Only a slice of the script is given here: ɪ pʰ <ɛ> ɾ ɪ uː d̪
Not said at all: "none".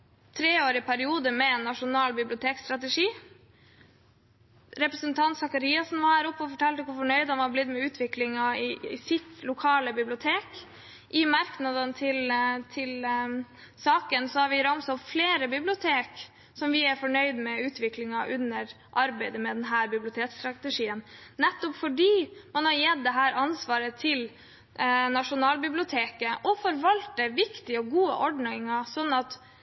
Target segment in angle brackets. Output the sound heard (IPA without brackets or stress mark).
æ